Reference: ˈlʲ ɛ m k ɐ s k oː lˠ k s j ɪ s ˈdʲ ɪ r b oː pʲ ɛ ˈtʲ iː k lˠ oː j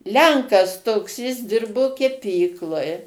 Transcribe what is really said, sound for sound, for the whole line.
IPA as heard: ˈlʲ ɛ ŋ k ɐ s t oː k s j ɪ s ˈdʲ ɪ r b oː kʲ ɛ ˈpʲ iː k lˠ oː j

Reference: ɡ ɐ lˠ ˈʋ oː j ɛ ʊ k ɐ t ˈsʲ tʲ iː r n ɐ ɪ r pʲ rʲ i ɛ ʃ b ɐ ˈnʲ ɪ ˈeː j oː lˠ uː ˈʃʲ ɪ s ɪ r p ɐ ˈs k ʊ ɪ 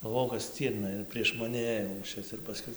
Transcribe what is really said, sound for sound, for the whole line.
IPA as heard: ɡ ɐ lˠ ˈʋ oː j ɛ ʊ k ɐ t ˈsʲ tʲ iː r n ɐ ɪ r pʲ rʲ i ɛ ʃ m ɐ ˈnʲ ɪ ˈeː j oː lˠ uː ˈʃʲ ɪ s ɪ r p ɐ ˈs k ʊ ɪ

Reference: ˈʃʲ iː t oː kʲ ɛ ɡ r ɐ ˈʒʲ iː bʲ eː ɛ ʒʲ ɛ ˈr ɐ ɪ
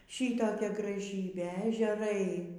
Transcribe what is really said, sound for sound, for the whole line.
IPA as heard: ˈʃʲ iː t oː kʲ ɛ ɡ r ɐ ˈʒʲ iː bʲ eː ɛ ʒʲ ɛ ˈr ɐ ɪ

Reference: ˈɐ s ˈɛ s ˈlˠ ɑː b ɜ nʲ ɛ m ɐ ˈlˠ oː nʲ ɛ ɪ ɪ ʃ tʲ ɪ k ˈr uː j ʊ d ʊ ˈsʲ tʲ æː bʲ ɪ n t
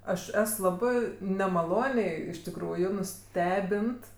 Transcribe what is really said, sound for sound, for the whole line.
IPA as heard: ˈɐ ʃ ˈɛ s ˈlˠ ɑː b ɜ nʲ ɛ m ɐ ˈlˠ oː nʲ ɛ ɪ ɪ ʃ tʲ ɪ k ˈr uː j ʊ n ʊ ˈsʲ tʲ æː bʲ ɪ n t

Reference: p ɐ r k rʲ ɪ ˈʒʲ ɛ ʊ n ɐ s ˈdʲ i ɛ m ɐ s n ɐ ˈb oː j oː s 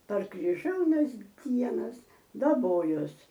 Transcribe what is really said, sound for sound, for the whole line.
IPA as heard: p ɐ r k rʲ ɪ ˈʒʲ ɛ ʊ n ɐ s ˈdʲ i ɛ n ɐ s d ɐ ˈb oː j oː s

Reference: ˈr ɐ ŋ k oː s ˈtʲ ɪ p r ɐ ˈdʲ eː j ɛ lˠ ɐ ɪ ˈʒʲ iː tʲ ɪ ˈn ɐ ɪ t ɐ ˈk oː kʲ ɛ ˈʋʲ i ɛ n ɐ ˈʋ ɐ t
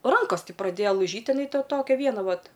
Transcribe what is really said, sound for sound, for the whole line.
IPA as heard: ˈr ɐ ŋ k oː s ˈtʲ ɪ p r ɐ ˈdʲ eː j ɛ lˠ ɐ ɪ ˈʒʲ iː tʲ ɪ ˈn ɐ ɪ t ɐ ˈt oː kʲ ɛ ˈʋʲ i ɛ n ɐ ˈʋ ɐ t

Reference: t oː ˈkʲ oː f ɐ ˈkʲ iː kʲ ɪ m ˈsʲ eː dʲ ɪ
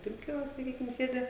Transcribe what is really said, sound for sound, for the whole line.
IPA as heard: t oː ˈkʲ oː s ɐ ˈkʲ iː kʲ ɪ m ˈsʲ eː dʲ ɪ

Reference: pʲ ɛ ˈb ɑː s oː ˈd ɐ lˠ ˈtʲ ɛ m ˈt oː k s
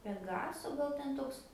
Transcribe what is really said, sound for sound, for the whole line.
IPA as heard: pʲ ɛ ˈɡ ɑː s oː ˈɡ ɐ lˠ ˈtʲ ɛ n ˈt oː k s

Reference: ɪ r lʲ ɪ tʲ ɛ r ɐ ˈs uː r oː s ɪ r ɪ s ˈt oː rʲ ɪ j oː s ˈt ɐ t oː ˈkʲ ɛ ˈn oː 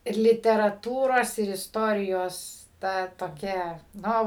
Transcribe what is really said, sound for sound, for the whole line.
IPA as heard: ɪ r lʲ ɪ tʲ ɛ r ɐ ˈt uː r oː s ɪ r ɪ s ˈt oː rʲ ɪ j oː s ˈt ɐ t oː ˈkʲ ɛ ˈn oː

